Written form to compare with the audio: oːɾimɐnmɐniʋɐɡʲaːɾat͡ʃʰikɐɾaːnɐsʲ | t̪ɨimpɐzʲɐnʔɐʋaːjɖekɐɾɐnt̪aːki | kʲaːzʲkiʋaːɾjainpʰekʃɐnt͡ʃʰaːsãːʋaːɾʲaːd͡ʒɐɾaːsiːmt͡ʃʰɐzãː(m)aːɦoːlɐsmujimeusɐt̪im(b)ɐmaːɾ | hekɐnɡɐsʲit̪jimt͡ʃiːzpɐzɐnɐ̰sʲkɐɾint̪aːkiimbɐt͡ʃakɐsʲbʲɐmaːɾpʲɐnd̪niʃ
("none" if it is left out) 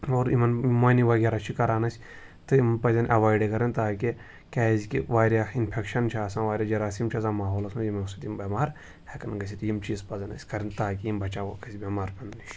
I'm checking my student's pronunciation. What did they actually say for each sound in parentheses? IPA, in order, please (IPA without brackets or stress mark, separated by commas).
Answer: m, b